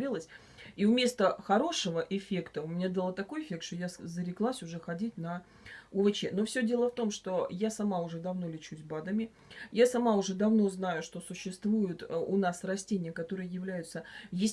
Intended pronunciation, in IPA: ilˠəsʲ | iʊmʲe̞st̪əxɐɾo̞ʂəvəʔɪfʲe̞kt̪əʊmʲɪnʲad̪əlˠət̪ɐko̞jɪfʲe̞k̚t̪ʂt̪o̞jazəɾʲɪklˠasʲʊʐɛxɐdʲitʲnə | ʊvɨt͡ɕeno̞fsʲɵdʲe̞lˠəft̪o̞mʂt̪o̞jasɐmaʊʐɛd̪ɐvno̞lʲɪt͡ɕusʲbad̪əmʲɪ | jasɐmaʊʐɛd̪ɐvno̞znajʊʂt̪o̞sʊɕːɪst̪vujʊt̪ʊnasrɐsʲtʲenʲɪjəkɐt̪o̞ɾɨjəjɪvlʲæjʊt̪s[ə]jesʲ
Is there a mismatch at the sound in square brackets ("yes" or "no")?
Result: no